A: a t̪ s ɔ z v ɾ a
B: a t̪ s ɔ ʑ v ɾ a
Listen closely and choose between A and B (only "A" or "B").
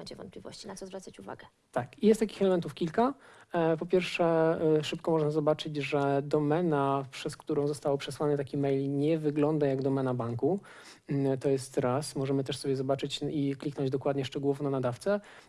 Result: A